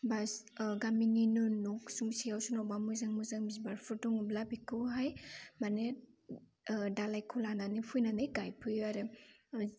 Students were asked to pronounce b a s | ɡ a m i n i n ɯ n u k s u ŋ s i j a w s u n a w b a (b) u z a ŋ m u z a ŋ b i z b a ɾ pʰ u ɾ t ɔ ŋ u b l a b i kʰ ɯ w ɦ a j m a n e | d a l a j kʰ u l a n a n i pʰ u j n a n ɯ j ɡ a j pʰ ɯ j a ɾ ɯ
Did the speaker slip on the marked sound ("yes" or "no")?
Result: yes